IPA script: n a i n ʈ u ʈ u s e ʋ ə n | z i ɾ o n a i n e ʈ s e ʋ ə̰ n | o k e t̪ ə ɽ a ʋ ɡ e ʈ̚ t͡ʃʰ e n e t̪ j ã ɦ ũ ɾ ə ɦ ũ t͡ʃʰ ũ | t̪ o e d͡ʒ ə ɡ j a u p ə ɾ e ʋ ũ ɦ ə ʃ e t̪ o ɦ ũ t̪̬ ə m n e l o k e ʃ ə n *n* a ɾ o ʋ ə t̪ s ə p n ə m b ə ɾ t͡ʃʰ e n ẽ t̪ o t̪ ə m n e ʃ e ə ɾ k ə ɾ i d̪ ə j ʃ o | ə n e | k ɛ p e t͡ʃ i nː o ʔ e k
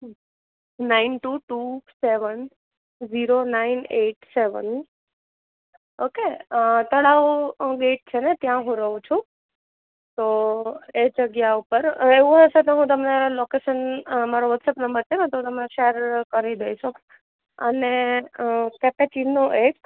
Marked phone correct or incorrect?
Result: incorrect